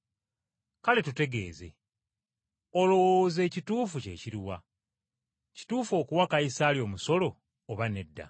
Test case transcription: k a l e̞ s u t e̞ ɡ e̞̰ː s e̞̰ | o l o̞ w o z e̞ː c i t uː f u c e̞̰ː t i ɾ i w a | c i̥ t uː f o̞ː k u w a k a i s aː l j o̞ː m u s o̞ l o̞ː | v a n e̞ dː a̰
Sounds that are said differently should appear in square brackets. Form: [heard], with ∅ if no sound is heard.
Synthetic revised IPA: k a l e̞ [t] u t e̞ ɡ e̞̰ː [z] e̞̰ | o l o̞ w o z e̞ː c i t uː f u c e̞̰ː [c] i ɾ i w a | c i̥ t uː f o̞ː k u w a k a i s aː l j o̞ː m u s o̞ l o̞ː | [β] a n e̞ dː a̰